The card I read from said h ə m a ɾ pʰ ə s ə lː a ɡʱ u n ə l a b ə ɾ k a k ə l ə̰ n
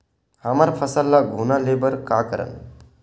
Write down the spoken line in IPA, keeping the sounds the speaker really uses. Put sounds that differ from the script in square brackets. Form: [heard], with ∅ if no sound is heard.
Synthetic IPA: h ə m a ɾ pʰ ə s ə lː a ɡʱ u n [a] l [e] b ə ɾ k a k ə [ɾ] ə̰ n